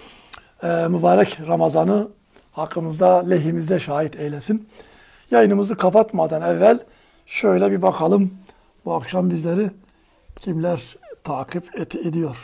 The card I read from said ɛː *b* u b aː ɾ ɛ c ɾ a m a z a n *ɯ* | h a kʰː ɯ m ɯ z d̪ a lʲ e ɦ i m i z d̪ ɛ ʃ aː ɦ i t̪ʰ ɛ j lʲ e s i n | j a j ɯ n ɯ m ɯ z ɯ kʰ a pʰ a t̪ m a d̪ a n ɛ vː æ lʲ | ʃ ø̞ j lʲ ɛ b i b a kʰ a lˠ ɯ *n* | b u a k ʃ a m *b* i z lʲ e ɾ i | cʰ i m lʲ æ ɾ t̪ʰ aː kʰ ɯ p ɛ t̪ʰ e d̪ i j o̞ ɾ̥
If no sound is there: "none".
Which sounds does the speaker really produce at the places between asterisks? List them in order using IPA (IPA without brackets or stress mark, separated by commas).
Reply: m, ɯ, m, b